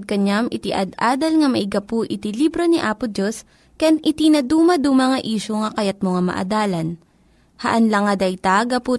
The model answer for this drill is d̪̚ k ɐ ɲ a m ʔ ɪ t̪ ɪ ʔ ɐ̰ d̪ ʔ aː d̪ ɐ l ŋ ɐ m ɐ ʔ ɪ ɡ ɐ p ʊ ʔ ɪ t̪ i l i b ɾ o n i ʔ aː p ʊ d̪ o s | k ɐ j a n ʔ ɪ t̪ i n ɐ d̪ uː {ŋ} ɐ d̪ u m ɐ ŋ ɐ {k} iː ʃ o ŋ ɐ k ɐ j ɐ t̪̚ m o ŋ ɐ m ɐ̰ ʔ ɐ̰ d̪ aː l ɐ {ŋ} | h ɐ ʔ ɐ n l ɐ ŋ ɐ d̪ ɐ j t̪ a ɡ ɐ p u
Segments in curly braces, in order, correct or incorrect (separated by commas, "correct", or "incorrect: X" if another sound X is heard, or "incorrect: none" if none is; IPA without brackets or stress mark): incorrect: m, incorrect: ʔ, incorrect: n